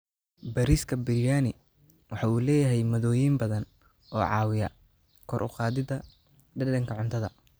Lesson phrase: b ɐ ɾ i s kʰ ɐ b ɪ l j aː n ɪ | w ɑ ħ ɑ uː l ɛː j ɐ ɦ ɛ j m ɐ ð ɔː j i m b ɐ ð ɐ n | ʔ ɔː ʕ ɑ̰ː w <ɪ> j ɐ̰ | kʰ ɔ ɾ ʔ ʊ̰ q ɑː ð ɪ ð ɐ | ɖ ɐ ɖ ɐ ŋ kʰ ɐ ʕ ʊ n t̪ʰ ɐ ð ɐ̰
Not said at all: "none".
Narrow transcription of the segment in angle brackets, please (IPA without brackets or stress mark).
ɪ